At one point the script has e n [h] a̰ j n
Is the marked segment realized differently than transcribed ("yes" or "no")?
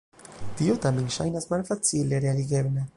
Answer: yes